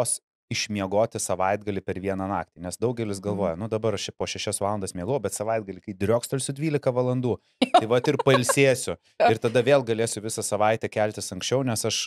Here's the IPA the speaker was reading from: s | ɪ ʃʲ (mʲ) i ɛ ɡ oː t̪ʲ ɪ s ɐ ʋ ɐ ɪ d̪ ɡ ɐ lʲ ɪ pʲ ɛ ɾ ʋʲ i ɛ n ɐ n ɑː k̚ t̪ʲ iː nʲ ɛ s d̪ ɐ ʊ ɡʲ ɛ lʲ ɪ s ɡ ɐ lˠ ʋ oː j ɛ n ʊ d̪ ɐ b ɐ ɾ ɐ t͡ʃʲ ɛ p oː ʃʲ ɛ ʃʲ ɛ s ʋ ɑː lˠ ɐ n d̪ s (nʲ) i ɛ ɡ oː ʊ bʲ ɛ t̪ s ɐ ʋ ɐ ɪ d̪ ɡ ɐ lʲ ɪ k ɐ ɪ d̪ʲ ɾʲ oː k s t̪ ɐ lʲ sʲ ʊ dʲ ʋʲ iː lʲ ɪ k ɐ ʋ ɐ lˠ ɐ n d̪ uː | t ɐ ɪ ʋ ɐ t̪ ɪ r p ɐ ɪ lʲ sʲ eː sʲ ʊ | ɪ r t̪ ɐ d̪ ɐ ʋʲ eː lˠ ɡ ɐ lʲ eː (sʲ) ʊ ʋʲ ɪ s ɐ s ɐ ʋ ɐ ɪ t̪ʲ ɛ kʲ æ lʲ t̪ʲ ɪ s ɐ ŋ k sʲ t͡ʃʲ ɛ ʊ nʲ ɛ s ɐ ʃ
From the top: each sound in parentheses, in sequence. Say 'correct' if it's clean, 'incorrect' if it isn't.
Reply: correct, incorrect, correct

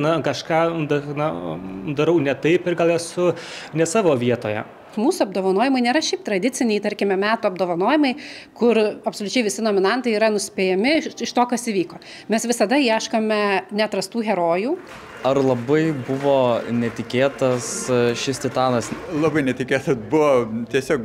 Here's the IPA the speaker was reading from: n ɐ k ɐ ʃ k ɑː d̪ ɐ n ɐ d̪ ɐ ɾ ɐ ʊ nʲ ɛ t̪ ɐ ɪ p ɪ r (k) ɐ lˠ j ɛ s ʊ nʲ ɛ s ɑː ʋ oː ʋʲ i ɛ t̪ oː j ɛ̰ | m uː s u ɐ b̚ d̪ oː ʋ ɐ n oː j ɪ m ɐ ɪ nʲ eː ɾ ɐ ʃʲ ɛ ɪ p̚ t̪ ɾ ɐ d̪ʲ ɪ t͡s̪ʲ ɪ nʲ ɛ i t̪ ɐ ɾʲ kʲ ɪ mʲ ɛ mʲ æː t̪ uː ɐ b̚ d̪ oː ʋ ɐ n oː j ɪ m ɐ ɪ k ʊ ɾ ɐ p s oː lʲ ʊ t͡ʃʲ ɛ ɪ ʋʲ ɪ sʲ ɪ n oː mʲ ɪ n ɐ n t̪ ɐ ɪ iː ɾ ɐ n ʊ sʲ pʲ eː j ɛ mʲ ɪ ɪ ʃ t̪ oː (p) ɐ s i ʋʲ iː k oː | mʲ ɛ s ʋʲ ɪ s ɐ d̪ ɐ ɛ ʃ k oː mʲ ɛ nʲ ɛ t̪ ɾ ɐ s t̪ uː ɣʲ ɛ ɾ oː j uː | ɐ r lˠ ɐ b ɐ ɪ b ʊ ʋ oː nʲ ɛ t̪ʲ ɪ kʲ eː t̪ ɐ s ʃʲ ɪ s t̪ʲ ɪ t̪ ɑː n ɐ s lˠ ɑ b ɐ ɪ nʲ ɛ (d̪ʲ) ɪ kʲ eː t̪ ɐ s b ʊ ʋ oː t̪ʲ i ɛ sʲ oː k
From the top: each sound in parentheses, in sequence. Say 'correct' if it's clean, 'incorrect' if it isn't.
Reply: incorrect, incorrect, incorrect

